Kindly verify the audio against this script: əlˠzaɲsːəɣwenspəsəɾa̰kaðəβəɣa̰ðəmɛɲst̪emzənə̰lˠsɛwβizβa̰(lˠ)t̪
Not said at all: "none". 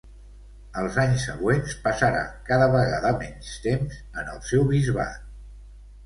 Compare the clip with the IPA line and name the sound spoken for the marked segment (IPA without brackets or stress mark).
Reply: none